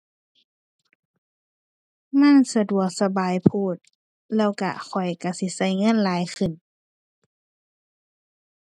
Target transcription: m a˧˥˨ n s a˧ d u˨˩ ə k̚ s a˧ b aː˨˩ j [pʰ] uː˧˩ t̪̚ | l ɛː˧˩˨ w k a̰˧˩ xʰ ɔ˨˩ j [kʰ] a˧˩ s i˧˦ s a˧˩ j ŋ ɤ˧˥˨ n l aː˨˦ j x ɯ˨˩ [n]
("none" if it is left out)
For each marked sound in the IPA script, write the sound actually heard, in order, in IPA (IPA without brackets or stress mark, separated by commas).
pʰ, k, n